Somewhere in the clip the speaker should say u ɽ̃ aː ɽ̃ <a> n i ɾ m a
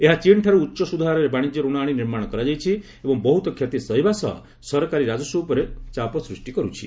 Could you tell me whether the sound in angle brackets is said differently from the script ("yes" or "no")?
yes